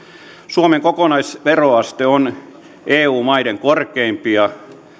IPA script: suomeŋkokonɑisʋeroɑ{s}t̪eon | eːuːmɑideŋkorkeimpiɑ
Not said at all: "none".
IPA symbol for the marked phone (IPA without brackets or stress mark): s